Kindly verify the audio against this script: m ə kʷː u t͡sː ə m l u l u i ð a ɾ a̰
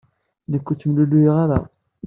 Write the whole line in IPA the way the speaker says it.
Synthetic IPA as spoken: n ə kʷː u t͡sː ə m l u l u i ʁ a ɾ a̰